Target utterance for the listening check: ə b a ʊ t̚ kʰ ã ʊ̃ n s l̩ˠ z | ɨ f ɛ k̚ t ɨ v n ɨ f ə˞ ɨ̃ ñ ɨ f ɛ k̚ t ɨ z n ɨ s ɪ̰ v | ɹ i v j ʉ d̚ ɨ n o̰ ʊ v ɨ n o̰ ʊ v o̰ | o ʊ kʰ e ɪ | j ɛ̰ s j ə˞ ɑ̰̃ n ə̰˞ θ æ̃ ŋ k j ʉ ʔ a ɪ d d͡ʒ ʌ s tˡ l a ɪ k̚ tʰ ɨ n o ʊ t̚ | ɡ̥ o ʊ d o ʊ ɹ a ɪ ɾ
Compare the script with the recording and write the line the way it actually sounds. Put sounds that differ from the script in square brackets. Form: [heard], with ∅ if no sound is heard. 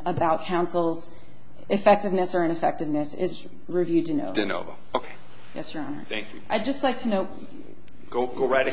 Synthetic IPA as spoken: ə b a ʊ t̚ kʰ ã ʊ̃ n s l̩ˠ z | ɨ f ɛ k̚ t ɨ v n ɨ [s] ə˞ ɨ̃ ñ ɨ f ɛ k̚ t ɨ [v] n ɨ s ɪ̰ [z] | ɹ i v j ʉ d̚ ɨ n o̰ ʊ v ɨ n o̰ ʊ v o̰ | o ʊ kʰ e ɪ | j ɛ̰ s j ə˞ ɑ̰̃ n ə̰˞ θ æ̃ ŋ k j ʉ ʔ a ɪ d d͡ʒ ʌ s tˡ l a ɪ k̚ tʰ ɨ n o ʊ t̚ | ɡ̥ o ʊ [ɡ] o ʊ ɹ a ɪ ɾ

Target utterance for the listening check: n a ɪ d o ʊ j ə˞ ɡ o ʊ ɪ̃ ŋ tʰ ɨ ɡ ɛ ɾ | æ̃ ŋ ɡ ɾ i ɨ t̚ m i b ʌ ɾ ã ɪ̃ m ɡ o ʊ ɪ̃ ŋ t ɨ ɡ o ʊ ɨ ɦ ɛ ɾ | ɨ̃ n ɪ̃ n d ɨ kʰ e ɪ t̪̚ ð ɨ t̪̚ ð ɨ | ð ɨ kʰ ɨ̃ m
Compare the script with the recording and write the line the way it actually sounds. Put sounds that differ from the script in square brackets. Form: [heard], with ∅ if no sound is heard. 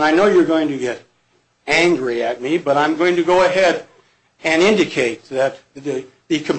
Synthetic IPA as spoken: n a ɪ [n] o ʊ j ə˞ ɡ o ʊ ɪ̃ ŋ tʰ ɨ ɡ ɛ ɾ | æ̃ ŋ ɡ [ɹ] i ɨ t̚ m i b ʌ ɾ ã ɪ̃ m ɡ o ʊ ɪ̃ ŋ t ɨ ɡ o ʊ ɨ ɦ ɛ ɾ | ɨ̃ n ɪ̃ n d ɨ kʰ e ɪ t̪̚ ð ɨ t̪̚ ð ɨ | ð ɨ kʰ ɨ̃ m

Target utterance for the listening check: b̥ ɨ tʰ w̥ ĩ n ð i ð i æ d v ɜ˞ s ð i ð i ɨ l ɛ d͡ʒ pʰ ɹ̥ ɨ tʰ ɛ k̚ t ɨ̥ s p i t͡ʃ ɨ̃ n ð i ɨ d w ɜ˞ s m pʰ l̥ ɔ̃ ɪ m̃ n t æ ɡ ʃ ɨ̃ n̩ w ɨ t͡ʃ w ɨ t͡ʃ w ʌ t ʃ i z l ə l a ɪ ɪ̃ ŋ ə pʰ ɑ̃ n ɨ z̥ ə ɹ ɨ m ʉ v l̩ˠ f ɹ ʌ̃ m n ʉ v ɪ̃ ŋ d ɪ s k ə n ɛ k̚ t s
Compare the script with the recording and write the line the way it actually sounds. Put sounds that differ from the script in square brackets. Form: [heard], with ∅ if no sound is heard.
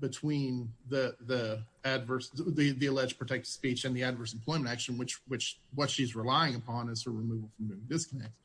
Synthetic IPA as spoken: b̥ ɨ tʰ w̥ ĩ n ð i ð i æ d v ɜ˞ s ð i ð i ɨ l ɛ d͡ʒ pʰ ɹ̥ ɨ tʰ ɛ k̚ t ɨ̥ s p i t͡ʃ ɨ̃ n ð i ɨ d [v] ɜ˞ s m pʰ l̥ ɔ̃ ɪ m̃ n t æ [k] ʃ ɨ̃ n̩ w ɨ t͡ʃ w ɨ t͡ʃ w ʌ t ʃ i z [ɹ] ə l a ɪ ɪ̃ ŋ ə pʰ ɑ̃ n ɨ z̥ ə ɹ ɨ m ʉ v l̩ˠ f ɹ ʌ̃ m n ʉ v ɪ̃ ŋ d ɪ s k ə n ɛ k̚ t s

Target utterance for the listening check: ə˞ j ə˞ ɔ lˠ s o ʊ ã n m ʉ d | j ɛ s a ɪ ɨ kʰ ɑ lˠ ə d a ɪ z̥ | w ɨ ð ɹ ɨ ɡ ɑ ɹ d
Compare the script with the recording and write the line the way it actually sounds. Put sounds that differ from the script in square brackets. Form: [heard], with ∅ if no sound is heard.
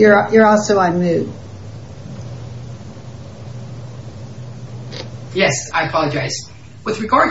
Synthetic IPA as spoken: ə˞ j ə˞ ɔ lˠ s o ʊ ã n m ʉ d | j ɛ s a ɪ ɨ [pʰ] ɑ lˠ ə [d͡ʒ] a ɪ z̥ | w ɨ ð ɹ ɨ ɡ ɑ ɹ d

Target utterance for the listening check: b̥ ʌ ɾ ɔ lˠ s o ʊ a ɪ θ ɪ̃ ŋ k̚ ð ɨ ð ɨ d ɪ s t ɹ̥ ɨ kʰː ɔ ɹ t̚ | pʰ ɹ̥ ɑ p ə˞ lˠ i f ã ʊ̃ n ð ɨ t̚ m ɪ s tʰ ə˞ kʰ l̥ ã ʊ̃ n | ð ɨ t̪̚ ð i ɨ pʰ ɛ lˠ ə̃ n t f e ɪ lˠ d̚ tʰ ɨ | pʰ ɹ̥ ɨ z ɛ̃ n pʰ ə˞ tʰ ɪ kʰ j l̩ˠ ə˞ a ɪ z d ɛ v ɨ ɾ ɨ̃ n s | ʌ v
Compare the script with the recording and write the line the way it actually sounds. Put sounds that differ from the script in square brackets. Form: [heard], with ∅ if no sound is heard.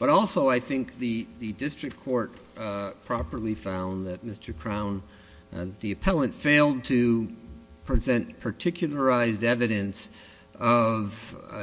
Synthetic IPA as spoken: b̥ ʌ ɾ ɔ lˠ s o ʊ a ɪ θ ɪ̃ ŋ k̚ ð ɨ ð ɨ d ɪ s t ɹ̥ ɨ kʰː ɔ ɹ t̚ | pʰ ɹ̥ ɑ p ə˞ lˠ i f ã ʊ̃ n ð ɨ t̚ m ɪ s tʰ ə˞ kʰ [ɹ̥] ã ʊ̃ n | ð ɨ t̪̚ ð i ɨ pʰ ɛ lˠ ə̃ n t f e ɪ lˠ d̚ tʰ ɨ | pʰ ɹ̥ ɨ z ɛ̃ n pʰ ə˞ tʰ ɪ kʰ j l̩ˠ ə˞ a ɪ z d ɛ v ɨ ɾ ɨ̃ n s | ʌ v

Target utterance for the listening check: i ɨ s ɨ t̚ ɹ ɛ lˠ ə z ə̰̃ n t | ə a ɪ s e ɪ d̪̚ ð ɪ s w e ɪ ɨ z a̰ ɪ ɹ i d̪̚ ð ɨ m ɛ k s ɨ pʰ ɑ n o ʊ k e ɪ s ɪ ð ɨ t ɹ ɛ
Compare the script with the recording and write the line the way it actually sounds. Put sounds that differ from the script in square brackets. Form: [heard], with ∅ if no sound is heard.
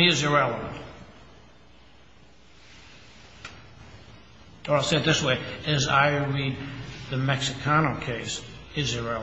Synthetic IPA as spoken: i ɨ [z] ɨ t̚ ɹ ɛ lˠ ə [v] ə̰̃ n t | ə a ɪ s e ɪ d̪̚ ð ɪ s w e ɪ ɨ z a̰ ɪ ɹ i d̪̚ ð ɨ m ɛ k s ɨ [kʰ] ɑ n o ʊ [kʰ] e ɪ s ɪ [z] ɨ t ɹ ɛ

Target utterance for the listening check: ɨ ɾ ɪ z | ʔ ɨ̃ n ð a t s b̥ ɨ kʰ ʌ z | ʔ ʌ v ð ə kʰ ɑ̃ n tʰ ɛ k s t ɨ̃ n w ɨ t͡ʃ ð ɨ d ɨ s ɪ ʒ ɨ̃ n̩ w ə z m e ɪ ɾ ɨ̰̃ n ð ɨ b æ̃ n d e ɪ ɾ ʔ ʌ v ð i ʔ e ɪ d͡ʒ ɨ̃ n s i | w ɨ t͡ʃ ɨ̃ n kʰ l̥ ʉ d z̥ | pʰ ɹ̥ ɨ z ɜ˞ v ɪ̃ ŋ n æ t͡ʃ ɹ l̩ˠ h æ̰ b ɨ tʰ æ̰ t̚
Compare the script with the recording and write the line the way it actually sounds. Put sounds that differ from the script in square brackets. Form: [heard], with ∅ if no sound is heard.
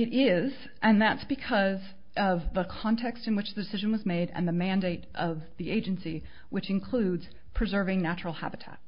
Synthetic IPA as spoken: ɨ ɾ ɪ z | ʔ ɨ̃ n ð [æ] t s b̥ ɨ kʰ ʌ z | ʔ ʌ v ð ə kʰ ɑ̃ n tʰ ɛ k s t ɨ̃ n w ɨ t͡ʃ ð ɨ d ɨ s ɪ ʒ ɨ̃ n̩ w [ʌ] z m e ɪ ɾ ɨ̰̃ n ð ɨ [m] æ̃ n d e ɪ ɾ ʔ ʌ v ð i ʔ e ɪ d͡ʒ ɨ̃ n s i | w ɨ t͡ʃ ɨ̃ n kʰ l̥ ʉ d z̥ | pʰ ɹ̥ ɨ z ɜ˞ v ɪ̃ ŋ n æ t͡ʃ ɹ l̩ˠ h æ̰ b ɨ tʰ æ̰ t̚

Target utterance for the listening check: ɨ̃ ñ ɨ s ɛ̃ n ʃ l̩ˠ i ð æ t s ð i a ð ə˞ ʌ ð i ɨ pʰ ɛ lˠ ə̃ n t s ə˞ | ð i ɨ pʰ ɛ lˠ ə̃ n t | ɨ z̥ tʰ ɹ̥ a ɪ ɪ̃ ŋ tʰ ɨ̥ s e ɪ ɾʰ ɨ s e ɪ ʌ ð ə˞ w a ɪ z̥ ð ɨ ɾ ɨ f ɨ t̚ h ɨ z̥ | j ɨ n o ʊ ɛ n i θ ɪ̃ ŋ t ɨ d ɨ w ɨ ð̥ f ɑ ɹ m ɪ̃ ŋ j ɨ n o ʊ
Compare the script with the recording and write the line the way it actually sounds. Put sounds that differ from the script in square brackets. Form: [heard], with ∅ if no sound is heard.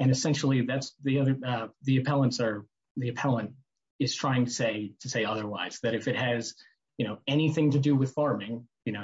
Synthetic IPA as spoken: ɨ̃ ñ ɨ s ɛ̃ n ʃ l̩ˠ i ð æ t s ð i [ʌ] ð ə˞ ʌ ð i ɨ pʰ ɛ lˠ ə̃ n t s ə˞ | ð i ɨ pʰ ɛ lˠ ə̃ n t | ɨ z̥ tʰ ɹ̥ a ɪ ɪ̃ ŋ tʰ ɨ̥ s e ɪ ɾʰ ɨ s e ɪ ʌ ð ə˞ w a ɪ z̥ ð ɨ ɾ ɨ f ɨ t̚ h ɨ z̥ | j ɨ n o ʊ ɛ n i θ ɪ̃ ŋ t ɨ d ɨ w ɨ ð̥ f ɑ ɹ m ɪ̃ ŋ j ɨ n o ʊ

